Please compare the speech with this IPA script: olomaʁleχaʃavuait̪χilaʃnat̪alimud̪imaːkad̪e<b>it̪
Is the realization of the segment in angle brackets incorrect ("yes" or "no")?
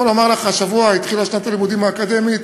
yes